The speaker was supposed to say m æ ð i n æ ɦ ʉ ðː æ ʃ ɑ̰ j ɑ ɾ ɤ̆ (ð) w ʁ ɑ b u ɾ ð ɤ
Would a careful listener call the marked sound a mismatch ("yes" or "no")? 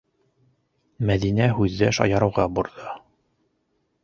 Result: yes